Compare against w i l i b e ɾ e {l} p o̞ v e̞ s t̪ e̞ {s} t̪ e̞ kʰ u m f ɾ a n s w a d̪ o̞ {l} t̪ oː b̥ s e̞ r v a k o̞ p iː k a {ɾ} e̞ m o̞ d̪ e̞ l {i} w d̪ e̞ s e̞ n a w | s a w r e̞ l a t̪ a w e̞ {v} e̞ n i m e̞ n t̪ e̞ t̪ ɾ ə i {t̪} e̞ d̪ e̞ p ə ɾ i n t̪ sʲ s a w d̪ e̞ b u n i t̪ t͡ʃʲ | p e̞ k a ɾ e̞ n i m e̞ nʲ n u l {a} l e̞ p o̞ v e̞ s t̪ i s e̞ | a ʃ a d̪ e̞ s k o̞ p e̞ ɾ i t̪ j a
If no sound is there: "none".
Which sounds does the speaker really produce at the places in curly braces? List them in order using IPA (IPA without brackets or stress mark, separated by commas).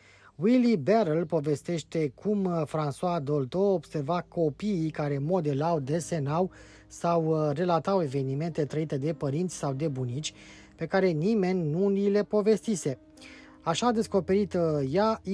l, ʃ, l, ɾ, a, v, t̪, i